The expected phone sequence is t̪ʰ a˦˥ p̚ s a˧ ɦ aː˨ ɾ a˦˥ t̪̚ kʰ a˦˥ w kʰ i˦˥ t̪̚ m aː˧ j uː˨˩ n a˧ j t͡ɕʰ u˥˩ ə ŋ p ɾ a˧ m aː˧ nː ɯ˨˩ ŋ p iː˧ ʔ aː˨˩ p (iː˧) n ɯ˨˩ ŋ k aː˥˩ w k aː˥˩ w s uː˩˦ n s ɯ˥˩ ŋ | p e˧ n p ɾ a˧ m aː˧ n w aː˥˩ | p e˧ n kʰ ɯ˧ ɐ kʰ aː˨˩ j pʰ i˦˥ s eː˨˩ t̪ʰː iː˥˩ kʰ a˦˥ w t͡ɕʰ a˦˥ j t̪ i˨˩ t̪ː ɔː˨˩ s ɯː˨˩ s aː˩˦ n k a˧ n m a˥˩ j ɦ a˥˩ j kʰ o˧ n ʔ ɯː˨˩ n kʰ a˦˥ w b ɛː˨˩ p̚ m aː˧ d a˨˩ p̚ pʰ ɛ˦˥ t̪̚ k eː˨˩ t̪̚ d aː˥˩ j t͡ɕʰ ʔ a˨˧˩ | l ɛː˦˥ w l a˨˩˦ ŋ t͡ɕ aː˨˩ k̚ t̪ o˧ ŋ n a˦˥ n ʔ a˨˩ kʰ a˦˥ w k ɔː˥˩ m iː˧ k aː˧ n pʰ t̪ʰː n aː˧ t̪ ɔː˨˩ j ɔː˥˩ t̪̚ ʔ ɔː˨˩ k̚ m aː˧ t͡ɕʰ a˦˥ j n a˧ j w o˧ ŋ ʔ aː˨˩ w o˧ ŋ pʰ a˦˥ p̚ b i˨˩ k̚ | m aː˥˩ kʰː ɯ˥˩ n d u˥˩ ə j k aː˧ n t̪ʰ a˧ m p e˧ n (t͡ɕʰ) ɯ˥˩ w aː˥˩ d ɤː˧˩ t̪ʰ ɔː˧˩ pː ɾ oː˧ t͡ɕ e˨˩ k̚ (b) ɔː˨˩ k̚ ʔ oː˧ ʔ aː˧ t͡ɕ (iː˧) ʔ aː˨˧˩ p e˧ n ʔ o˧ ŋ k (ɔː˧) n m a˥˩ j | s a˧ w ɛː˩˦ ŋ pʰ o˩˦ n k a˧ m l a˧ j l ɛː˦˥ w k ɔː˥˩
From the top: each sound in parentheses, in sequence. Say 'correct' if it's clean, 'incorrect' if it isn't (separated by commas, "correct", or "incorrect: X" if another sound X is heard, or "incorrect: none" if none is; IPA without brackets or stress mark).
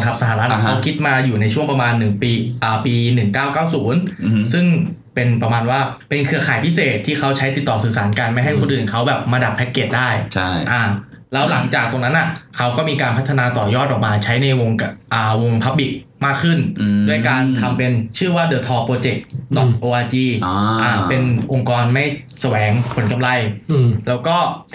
correct, correct, incorrect: d, correct, correct